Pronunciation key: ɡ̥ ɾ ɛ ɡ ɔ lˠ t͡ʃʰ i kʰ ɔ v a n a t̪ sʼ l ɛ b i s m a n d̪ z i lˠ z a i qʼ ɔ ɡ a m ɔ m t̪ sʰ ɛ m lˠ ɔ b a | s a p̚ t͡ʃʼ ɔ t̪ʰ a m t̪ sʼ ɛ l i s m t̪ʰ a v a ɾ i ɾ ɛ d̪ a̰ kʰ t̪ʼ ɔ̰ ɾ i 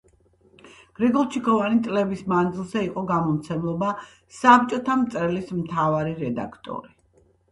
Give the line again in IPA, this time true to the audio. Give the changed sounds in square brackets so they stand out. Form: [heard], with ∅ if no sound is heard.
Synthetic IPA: ɡ̥ ɾ ɛ ɡ ɔ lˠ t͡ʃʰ i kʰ ɔ v a n [i] t̪ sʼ l ɛ b i s m a n d̪ z i lˠ z [ɛ] i qʼ ɔ ɡ a m ɔ m t̪ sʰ ɛ m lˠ ɔ b a | s a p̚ t͡ʃʼ ɔ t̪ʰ a m t̪ sʼ ɛ l i s m t̪ʰ a v a ɾ i ɾ ɛ d̪ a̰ kʰ t̪ʼ ɔ̰ ɾ i